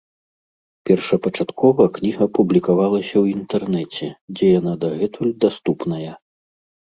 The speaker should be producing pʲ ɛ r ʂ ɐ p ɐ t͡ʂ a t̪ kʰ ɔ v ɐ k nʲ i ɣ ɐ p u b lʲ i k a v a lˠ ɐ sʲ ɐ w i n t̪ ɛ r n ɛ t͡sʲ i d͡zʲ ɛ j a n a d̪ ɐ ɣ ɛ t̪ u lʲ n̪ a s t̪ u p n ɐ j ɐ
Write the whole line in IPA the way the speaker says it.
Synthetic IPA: pʲ ɛ r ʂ ɐ p ɐ t͡ʂ a t̪ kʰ ɔ v ɐ k nʲ i ɣ ɐ p u b lʲ i k a v a lˠ ɐ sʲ ɐ w i n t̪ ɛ r n ɛ t͡sʲ ɛ d͡zʲ ɛ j a n a d̪ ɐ ɣ ɛ t̪ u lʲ d̪ a s t̪ u p n ɐ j ɐ